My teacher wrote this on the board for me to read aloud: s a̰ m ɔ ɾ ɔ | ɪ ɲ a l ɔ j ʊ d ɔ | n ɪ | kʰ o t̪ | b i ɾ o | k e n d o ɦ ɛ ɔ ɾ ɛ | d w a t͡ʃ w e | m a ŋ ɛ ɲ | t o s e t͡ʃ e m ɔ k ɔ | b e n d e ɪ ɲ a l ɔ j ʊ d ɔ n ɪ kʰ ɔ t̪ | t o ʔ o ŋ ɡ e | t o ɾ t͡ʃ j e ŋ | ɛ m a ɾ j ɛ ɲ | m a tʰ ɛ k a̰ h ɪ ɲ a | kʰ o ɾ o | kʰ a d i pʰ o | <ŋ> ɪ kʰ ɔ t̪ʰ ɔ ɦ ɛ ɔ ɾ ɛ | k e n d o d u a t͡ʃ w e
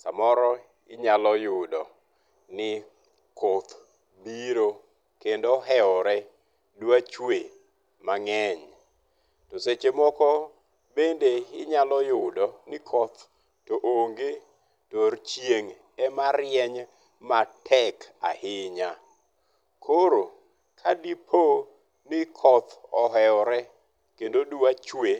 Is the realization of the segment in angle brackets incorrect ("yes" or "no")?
yes